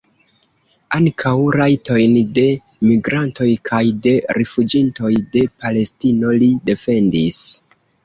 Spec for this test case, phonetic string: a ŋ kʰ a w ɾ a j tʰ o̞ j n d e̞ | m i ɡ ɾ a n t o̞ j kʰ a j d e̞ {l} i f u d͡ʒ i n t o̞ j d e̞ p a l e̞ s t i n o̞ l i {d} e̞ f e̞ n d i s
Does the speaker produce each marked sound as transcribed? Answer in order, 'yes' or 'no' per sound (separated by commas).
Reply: no, yes